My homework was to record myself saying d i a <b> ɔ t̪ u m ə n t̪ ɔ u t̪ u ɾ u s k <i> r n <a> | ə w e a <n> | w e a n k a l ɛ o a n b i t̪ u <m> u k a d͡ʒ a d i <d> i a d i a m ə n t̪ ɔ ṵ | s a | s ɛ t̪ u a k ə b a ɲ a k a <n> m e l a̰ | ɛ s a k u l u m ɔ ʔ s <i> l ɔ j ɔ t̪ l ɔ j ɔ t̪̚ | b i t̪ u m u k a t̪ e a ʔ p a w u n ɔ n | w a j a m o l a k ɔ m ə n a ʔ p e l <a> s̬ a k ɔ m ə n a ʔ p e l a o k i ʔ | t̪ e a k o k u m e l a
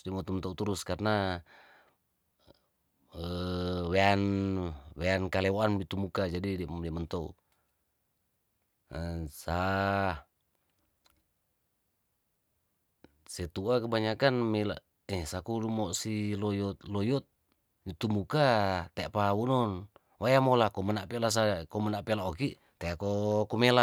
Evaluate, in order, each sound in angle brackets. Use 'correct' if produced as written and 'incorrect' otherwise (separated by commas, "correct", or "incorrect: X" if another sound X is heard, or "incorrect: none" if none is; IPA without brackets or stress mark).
incorrect: m, incorrect: a, correct, correct, correct, correct, correct, correct, correct